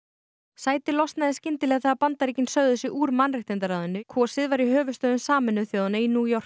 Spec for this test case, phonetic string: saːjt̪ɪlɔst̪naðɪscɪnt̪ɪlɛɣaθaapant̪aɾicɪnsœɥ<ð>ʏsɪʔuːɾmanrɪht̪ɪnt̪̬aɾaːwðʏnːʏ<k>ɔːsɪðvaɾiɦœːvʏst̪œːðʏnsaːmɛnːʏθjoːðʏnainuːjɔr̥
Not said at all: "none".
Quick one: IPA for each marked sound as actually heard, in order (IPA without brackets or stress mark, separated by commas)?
ð, kʰ